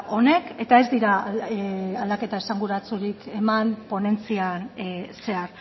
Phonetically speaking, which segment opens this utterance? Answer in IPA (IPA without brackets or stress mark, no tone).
o̞